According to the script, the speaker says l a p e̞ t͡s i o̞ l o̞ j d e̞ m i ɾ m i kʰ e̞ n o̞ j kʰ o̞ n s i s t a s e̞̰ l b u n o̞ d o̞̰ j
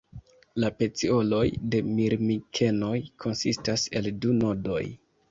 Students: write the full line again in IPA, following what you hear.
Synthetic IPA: l a p e̞ t͡s i o̞ l o̞ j d e̞ m i ɾ m i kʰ e̞ n o̞ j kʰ o̞ n s i s t a s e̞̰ l d u n o̞ d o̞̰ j